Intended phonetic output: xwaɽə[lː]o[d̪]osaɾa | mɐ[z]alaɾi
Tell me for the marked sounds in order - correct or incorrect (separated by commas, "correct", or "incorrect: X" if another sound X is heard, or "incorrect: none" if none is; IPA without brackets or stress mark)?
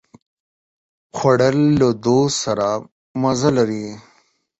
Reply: correct, correct, correct